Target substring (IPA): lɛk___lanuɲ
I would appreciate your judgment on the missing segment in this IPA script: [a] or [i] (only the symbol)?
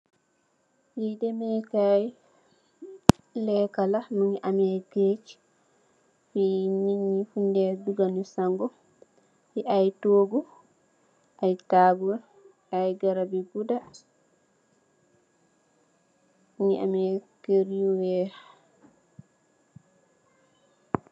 a